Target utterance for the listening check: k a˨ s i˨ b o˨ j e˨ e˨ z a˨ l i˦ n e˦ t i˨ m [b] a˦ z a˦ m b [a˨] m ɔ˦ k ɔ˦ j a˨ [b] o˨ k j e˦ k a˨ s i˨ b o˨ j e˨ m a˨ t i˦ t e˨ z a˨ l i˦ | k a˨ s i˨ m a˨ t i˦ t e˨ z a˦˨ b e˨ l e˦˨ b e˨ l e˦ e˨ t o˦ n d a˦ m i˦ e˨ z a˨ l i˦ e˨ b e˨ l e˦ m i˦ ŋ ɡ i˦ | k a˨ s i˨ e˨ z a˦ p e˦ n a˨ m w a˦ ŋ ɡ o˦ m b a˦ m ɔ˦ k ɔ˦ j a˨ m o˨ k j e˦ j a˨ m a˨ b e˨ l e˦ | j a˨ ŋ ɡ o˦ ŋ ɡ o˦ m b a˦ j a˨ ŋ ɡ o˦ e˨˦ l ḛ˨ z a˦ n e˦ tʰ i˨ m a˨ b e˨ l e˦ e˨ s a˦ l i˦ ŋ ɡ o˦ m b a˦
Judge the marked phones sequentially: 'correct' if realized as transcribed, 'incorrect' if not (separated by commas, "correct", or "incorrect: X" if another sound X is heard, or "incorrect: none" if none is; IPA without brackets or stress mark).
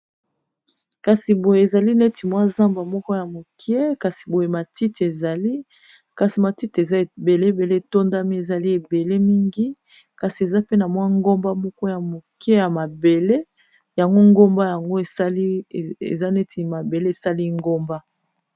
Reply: incorrect: w, correct, incorrect: m